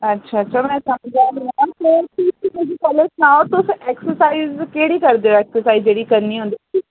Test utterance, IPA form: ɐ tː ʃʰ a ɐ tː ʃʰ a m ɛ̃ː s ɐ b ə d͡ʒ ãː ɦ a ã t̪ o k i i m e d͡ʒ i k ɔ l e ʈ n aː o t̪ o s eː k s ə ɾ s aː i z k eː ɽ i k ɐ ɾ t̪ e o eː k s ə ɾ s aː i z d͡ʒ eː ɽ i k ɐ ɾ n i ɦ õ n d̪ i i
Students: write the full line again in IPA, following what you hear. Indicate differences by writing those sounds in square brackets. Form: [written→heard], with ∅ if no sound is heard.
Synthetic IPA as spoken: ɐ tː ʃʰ a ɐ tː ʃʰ a m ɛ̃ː s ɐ [b→m] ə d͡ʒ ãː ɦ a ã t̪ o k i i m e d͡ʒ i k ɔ l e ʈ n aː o t̪ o s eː k s ə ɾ s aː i z k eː ɽ i k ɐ ɾ [t̪→d̪] e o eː k s ə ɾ s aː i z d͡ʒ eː ɽ i k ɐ ɾ n i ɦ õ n d̪ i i